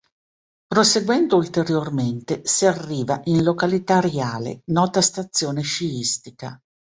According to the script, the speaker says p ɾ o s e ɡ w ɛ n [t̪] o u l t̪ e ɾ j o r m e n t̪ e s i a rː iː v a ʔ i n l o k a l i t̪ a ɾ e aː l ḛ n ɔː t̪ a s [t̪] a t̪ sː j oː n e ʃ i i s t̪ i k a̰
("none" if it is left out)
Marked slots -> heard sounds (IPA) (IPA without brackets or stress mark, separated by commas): d̪, t̪